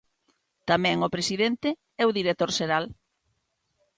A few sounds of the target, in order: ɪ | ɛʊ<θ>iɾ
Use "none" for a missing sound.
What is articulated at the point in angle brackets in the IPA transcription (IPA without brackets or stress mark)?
ð